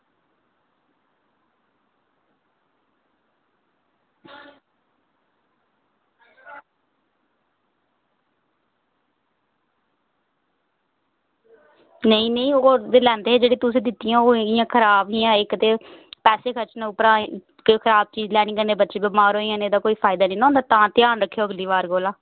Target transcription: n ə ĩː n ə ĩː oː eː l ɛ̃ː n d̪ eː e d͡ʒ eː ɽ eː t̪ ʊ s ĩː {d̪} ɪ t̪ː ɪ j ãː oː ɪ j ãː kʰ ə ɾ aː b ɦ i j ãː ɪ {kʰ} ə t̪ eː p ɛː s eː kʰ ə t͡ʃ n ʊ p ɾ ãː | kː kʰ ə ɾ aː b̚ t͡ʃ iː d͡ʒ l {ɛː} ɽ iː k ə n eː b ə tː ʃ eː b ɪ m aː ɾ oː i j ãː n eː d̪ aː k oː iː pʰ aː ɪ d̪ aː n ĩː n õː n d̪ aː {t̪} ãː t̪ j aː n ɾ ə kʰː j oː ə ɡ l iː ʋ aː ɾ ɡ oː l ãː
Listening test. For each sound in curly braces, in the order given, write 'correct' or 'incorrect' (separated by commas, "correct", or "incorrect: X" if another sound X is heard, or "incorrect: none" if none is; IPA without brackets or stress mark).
correct, incorrect: k, correct, correct